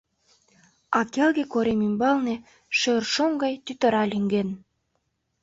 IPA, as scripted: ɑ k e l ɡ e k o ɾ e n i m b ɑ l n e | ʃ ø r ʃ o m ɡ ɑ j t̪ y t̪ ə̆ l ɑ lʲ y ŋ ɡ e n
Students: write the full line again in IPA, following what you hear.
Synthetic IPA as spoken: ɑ k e l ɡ e k o ɾ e m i m b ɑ l n e | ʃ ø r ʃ o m ɡ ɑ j t̪ y t̪ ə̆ ɾ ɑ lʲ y ŋ ɡ e n